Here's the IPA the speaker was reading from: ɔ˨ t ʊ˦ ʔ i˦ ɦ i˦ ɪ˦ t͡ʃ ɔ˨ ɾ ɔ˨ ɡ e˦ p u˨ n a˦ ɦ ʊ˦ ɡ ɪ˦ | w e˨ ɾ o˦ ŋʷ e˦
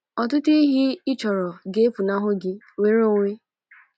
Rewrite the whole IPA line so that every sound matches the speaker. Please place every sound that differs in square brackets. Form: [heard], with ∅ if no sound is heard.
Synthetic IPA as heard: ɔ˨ t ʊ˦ [t] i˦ ɦ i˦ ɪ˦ t͡ʃ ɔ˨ ɾ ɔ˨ ɡ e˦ p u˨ n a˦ ɦ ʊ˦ ɡ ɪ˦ | w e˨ ɾ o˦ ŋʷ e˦

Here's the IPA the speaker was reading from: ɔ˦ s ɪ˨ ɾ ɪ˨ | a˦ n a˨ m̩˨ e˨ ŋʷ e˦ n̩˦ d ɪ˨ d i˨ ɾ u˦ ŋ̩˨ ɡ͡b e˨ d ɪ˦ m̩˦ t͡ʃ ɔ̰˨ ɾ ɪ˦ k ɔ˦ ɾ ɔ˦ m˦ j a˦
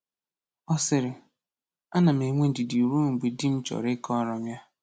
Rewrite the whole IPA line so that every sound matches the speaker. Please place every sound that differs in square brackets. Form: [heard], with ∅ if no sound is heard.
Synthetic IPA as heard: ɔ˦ s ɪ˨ ɾ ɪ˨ | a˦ n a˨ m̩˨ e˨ ŋʷ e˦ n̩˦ d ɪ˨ d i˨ ɾ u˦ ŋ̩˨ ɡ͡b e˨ d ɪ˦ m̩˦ t͡ʃ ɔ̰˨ ɾ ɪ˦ k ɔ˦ ɾ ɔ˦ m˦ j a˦

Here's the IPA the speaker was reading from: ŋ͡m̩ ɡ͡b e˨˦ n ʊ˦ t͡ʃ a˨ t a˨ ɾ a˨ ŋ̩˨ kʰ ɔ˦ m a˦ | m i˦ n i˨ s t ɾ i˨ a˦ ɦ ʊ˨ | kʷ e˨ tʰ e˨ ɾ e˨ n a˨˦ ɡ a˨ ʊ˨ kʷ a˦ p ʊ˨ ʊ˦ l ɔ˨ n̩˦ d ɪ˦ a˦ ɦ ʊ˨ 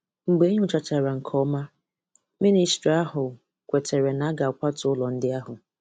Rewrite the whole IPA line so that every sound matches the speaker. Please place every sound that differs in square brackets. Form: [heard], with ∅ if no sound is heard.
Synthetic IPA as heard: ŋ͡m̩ ɡ͡b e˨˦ [ɲ] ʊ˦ t͡ʃ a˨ [t͡ʃ] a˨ ɾ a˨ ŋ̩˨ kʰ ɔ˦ m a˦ | m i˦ n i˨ s t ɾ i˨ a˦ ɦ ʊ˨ | kʷ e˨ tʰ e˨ ɾ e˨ n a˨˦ ɡ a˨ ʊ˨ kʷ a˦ [t] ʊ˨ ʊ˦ l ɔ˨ n̩˦ d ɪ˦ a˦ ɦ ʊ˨

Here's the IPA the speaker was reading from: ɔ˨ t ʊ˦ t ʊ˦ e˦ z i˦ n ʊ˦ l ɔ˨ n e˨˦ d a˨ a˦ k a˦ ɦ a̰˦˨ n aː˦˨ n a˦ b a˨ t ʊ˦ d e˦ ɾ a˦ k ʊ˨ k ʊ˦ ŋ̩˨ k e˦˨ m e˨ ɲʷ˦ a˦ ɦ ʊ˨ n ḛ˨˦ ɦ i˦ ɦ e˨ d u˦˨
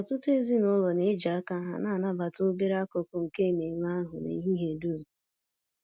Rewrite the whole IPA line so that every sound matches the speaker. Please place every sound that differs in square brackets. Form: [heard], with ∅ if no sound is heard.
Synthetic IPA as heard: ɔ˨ t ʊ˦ t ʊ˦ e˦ z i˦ n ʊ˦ l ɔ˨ n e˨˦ [d͡ʒ] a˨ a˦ k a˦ ɦ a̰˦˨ n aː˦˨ n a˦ b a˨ t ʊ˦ [b] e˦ ɾ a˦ k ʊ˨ k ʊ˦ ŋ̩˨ k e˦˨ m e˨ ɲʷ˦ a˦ ɦ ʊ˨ n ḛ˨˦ ɦ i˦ ɦ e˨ d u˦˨

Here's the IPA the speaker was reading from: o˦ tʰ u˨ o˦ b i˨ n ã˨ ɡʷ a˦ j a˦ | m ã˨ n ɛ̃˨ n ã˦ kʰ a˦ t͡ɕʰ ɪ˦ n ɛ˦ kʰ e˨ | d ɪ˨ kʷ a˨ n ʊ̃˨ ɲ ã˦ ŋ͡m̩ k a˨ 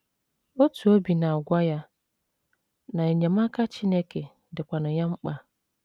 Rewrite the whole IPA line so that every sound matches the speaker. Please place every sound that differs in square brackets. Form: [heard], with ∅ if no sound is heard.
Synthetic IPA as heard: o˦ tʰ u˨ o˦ b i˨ n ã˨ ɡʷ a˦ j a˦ | [n] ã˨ [ɲ] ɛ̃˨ [m] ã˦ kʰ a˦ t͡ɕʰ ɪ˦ n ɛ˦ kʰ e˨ | d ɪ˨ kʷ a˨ n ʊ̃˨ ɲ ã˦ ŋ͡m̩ [k͡p] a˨

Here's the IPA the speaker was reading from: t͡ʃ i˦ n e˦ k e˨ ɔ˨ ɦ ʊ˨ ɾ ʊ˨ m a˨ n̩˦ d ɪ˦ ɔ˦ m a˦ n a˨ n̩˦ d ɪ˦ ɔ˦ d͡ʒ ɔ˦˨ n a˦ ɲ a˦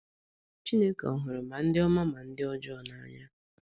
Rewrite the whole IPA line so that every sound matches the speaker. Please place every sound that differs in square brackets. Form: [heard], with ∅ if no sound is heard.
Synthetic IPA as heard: t͡ʃ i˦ n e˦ k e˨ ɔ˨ ɦ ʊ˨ ɾ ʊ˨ m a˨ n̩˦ d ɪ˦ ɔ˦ m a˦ [m] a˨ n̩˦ d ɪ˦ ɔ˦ d͡ʒ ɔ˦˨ n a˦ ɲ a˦

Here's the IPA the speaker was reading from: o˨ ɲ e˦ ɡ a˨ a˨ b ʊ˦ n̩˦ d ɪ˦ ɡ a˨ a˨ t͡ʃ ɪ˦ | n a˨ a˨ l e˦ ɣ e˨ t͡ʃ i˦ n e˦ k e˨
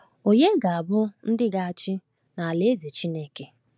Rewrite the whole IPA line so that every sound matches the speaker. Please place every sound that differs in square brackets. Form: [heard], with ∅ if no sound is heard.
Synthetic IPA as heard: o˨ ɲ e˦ ɡ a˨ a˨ b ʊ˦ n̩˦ d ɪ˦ ɡ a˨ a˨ t͡ʃ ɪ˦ | n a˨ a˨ l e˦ [z] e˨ t͡ʃ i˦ n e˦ k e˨

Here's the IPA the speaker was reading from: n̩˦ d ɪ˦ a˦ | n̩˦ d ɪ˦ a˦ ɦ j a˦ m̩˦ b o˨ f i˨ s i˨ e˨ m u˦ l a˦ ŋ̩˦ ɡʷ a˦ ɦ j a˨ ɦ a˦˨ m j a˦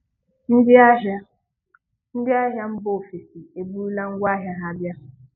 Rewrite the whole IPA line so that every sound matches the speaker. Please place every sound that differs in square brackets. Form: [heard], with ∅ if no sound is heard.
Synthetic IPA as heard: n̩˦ d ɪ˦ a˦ | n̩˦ d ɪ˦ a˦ ɦ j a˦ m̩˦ b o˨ f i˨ s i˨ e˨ [b] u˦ l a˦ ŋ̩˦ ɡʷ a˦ ɦ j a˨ ɦ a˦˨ [b] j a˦

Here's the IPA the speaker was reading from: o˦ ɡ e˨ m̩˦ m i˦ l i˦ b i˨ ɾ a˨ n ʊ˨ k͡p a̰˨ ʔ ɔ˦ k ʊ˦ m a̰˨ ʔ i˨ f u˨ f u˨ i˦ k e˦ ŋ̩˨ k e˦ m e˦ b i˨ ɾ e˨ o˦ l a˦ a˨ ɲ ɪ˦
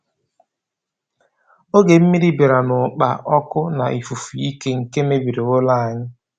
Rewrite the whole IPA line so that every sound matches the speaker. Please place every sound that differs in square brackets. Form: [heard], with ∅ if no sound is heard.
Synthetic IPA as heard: o˦ ɡ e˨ m̩˦ m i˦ [ɾ] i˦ b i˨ ɾ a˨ n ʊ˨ k͡p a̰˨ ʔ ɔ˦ k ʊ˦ [n] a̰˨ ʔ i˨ f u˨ f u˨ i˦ k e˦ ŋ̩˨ k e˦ m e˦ b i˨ ɾ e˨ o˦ l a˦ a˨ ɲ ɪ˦

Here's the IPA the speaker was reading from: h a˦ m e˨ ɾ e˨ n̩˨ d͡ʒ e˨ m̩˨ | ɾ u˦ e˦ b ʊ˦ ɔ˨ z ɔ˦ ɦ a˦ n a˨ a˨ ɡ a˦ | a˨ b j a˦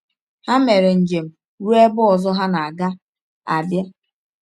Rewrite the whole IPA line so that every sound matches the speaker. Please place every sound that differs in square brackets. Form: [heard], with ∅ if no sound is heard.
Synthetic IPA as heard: h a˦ m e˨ ɾ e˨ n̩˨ d͡ʒ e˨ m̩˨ | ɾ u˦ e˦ b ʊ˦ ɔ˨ z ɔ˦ ɦ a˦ n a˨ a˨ ɡ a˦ | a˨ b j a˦

